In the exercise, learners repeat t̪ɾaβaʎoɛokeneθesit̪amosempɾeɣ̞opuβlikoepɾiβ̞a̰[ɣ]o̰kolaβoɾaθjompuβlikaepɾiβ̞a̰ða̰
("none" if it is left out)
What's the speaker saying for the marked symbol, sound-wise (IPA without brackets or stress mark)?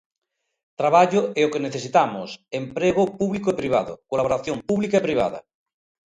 ð